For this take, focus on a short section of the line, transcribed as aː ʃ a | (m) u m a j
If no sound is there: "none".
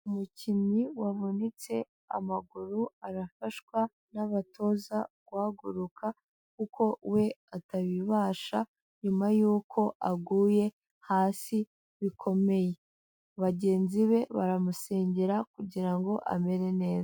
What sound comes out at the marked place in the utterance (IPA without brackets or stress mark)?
ɲ